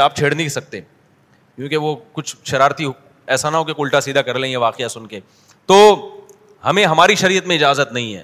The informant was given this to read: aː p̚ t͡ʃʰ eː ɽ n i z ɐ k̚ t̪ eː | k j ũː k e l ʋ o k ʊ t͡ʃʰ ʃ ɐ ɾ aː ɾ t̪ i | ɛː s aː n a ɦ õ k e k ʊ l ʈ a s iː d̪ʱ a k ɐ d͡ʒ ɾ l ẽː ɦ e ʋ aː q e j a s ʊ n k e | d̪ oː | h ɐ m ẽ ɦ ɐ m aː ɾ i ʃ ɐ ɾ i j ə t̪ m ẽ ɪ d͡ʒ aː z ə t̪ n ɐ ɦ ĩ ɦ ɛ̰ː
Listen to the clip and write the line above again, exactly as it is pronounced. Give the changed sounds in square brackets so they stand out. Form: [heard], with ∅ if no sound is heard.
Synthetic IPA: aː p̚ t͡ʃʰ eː ɽ n i [s] ɐ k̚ t̪ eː | k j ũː k e [∅] ʋ o k ʊ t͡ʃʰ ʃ ɐ ɾ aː ɾ t̪ i | ɛː s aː n a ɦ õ k e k ʊ l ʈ a s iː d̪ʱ a k ɐ [∅] ɾ l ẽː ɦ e ʋ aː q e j a s ʊ n k e | [t̪] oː | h ɐ m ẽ ɦ ɐ m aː ɾ i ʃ ɐ ɾ i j ə t̪ m ẽ ɪ d͡ʒ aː z ə t̪ n ɐ ɦ ĩ ɦ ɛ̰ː